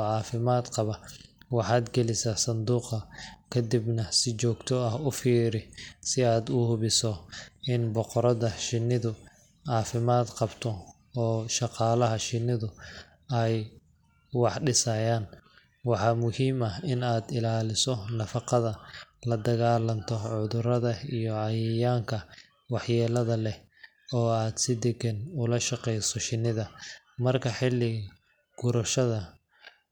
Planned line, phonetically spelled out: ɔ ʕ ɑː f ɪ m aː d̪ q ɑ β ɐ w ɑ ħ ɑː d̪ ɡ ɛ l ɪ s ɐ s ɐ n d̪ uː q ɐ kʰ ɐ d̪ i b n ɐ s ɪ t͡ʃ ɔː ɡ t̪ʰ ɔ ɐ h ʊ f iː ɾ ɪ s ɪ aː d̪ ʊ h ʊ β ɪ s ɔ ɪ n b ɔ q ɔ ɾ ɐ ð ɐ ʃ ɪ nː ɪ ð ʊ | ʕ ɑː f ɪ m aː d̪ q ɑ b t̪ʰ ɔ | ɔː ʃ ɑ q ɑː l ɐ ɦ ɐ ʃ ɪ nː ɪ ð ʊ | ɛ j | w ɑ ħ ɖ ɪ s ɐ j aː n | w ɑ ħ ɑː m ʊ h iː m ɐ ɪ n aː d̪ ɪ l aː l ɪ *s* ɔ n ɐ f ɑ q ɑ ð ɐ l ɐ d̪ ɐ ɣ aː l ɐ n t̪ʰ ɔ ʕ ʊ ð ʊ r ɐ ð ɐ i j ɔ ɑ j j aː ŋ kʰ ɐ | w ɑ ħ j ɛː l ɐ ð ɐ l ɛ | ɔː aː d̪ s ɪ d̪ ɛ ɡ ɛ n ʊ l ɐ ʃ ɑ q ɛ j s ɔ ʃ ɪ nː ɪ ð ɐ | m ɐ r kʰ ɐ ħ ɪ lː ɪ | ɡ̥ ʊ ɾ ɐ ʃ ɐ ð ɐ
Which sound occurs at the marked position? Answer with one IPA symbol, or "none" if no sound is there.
s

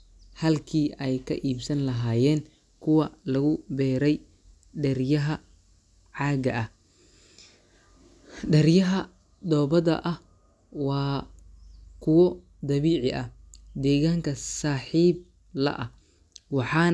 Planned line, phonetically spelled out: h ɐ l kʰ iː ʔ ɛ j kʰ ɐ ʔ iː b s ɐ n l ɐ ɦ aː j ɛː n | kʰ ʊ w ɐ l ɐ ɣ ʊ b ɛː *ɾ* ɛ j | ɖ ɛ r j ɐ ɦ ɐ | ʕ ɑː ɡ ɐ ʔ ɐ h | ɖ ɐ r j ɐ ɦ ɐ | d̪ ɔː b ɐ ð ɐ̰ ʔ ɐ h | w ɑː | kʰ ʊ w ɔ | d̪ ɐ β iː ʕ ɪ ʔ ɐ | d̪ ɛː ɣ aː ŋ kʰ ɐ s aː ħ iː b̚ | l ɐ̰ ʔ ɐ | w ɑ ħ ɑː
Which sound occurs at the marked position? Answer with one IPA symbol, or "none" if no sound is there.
ɾ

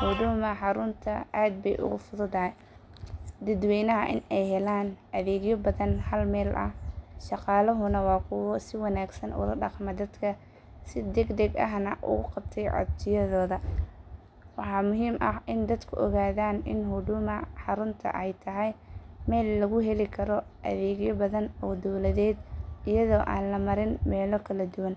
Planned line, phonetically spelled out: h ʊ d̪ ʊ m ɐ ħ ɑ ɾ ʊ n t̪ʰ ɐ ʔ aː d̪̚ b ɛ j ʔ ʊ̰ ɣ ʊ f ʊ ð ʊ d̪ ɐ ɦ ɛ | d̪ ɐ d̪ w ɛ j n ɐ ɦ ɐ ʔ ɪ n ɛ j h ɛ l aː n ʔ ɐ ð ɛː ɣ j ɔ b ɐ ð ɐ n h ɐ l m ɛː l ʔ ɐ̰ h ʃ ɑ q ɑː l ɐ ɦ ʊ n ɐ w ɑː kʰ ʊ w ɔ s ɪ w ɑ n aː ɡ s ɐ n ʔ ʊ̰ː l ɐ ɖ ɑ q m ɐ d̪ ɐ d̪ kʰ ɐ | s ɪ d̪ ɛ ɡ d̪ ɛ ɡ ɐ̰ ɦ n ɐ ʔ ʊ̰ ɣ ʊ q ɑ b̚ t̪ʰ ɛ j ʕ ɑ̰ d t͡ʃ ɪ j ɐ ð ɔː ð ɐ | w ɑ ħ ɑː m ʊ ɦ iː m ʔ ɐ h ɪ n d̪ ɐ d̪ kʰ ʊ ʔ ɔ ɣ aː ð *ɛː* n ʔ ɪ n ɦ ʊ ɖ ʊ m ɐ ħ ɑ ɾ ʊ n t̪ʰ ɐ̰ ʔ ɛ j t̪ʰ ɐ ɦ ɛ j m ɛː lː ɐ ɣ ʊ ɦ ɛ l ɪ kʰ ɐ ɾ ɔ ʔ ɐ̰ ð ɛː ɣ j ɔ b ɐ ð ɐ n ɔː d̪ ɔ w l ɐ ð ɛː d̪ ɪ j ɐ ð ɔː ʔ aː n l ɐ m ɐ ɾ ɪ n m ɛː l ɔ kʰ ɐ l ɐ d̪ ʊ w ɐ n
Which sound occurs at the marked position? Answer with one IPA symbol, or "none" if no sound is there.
aː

